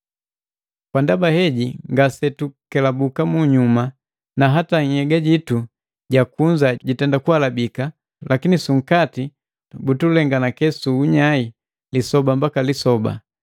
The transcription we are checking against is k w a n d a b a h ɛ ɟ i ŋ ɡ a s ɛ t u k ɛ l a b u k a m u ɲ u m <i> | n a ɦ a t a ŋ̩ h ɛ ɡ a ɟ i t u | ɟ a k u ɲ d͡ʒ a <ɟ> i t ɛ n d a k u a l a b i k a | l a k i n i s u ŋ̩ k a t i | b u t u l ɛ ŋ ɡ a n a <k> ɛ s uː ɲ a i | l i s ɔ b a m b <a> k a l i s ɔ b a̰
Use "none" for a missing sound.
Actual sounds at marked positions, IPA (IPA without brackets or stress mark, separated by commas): a, ɟ, k, a